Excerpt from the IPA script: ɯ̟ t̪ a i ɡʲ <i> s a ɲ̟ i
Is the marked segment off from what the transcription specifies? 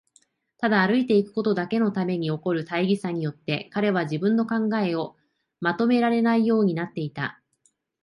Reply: no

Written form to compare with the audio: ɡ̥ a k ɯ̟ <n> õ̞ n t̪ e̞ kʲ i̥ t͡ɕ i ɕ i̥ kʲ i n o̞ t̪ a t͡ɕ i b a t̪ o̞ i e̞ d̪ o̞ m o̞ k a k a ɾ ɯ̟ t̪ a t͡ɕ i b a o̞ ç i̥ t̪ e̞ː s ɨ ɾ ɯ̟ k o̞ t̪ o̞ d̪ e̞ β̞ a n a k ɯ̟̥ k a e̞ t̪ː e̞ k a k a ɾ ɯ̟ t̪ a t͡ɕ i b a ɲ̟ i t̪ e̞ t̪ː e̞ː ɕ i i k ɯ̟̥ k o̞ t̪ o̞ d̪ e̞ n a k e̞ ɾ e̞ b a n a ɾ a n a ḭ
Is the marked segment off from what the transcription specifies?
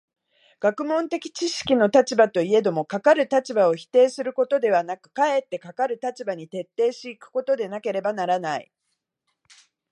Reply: yes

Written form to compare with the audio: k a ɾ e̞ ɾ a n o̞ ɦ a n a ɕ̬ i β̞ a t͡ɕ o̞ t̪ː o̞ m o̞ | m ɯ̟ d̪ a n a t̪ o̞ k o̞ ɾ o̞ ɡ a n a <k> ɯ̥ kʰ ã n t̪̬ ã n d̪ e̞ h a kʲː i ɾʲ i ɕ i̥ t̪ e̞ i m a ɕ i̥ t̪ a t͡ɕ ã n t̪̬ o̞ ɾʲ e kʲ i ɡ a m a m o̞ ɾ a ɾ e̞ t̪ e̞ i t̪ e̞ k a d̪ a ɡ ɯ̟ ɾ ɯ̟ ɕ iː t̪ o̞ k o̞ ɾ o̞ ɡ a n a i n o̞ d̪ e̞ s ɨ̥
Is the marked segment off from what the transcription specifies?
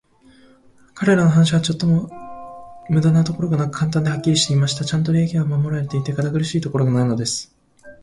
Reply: no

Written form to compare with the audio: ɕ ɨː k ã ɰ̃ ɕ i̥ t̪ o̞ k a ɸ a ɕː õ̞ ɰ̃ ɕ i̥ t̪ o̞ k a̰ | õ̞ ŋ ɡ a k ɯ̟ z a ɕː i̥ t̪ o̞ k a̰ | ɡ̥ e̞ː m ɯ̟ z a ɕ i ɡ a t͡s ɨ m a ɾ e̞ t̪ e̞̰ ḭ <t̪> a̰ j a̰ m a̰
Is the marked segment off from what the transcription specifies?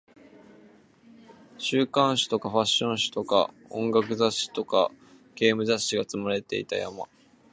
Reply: no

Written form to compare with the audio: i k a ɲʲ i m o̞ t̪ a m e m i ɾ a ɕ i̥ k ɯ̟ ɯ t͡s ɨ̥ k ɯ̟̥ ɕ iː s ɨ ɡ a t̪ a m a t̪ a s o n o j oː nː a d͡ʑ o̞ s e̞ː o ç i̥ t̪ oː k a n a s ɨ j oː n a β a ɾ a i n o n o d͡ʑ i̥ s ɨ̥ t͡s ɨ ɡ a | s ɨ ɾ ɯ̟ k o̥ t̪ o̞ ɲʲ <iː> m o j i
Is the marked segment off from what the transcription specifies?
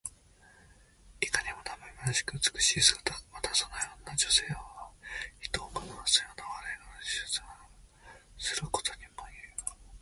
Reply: yes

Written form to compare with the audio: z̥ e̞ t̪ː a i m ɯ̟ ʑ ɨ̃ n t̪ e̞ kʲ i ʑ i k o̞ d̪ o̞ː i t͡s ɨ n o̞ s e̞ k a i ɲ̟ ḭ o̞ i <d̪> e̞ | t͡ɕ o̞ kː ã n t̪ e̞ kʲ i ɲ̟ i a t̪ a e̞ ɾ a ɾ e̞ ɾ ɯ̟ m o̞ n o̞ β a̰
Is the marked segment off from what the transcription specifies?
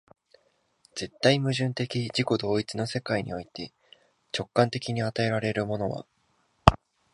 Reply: yes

